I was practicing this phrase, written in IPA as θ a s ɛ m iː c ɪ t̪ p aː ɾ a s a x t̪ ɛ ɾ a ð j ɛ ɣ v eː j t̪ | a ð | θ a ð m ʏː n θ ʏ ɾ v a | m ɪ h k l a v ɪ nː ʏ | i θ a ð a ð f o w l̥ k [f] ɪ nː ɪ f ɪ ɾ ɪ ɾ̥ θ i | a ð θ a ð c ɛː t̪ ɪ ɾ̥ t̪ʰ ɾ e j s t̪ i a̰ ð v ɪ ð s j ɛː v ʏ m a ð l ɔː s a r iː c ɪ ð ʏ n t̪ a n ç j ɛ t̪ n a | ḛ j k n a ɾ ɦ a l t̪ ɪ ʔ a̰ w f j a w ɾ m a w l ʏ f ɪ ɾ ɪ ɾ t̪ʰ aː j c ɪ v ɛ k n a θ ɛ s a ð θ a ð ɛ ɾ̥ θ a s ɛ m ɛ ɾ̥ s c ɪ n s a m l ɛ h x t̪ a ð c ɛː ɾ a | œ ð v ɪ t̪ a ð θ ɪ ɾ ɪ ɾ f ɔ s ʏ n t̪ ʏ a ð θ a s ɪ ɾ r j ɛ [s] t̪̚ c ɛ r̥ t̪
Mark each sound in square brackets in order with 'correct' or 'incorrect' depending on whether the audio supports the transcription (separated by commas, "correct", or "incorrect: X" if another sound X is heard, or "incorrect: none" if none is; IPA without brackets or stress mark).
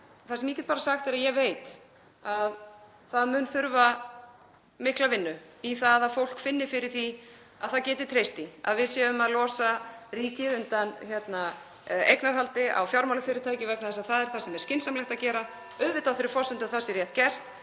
correct, incorrect: h